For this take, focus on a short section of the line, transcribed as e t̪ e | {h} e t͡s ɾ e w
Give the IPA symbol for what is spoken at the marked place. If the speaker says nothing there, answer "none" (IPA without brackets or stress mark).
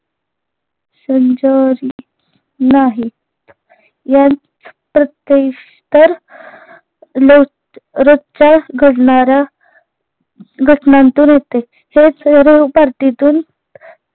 h